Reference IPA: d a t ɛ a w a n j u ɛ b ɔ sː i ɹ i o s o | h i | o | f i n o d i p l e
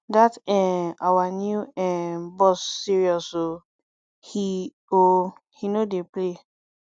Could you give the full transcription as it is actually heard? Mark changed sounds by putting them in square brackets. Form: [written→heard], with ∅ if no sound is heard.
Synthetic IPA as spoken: d a t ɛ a w a n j u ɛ b ɔ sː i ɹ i [o→ɔ] s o | h i | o | [f→h] i n o d [i→e] p l e